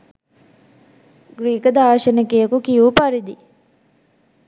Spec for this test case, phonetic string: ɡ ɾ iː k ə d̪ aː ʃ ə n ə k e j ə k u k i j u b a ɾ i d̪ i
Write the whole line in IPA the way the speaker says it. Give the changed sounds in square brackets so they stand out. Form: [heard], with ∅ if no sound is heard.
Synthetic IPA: ɡ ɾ iː k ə d̪ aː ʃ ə n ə k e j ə k u k i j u [p] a ɾ i d̪ i

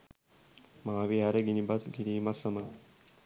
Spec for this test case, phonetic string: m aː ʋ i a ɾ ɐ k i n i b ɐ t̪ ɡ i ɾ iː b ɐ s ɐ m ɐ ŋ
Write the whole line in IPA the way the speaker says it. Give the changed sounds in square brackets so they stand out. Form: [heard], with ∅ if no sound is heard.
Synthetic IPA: m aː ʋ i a ɾ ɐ [ɡ] i n i b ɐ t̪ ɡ i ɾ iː [m] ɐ s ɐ m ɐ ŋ

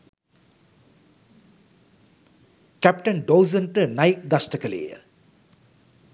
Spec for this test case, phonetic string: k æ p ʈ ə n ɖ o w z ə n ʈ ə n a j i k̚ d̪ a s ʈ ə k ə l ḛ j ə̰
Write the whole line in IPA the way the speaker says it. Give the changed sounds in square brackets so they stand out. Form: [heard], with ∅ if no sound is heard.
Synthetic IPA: k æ p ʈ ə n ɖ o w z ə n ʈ ə n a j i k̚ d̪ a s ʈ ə k ə l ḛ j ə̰

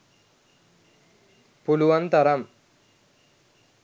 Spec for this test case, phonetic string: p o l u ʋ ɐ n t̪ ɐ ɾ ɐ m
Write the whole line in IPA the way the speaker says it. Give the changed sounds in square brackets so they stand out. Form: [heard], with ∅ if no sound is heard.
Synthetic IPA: p [u] l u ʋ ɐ n t̪ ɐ ɾ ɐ m

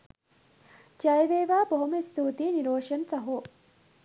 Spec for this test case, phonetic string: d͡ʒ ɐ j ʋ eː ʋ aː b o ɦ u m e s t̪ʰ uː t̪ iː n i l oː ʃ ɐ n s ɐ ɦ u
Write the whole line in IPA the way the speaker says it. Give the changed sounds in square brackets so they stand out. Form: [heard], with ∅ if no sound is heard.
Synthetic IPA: d͡ʒ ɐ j ʋ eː ʋ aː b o ɦ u m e s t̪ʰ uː t̪ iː n i [ɾ] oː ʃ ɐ n s ɐ ɦ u

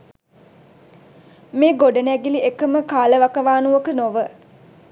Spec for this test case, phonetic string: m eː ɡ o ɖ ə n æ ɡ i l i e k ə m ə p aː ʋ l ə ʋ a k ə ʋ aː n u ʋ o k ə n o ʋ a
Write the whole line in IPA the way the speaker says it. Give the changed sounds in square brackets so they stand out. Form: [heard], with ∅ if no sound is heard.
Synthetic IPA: m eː ɡ o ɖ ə n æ ɡ i l i e k ə m ə [k] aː [∅] l ə ʋ a k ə ʋ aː n u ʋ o k ə n o ʋ [ə]

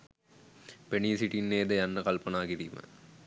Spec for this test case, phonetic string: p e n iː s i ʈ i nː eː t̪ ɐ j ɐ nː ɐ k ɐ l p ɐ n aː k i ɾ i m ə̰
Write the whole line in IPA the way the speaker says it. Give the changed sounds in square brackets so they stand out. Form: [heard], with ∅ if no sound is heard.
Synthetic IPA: p e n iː s i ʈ i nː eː [d̪] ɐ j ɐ nː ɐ k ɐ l p ɐ n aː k i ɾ i m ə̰

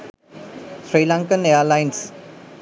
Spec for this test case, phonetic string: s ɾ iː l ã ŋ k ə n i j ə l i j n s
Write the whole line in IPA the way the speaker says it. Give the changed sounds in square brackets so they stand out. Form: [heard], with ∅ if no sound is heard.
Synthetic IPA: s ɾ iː l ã ŋ k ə n [e] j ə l [a] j n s

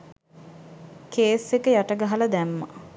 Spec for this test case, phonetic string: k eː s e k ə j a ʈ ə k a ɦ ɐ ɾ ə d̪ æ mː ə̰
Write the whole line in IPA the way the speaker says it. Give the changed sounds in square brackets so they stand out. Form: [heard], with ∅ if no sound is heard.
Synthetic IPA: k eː s e k ə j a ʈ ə [ɡ] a ɦ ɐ [l] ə d̪ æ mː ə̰

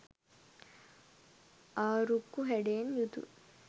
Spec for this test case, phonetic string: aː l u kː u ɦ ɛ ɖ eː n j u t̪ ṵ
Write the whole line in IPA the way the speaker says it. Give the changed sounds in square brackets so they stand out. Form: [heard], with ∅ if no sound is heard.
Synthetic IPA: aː [ɾ] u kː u ɦ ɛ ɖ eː n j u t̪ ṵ

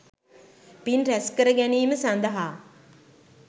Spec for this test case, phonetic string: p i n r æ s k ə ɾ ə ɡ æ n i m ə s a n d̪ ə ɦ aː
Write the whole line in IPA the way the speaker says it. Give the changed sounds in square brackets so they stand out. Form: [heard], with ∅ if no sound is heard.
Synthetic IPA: p i n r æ s k ə ɾ ə ɡ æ n [iː] m ə s a n d̪ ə ɦ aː

